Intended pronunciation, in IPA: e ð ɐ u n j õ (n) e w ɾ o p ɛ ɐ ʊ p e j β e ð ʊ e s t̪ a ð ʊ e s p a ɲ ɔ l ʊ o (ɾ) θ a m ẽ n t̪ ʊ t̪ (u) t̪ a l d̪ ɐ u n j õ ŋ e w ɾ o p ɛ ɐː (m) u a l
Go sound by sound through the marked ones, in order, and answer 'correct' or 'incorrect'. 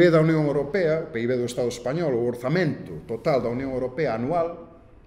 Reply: incorrect: ŋ, correct, incorrect: o, incorrect: n

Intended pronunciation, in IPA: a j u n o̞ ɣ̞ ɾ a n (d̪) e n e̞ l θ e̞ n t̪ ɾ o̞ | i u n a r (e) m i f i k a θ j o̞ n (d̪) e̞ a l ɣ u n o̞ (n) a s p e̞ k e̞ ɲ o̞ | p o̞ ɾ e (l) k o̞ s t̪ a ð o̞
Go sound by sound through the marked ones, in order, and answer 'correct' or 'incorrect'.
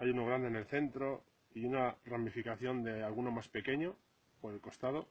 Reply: correct, incorrect: a, correct, incorrect: m, correct

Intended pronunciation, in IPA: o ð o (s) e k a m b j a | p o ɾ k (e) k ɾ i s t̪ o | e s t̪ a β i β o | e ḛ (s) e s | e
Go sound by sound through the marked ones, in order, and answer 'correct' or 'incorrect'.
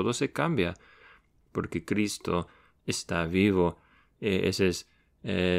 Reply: correct, correct, correct

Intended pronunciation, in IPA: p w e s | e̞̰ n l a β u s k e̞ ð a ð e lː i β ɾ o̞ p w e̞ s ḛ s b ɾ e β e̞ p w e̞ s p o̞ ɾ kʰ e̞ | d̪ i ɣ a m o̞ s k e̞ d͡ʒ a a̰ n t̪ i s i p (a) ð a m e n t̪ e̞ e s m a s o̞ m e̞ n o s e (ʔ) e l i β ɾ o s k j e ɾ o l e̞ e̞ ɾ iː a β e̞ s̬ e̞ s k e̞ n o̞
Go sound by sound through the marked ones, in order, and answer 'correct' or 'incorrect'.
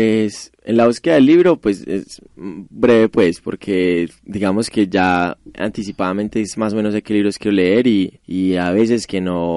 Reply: correct, incorrect: k

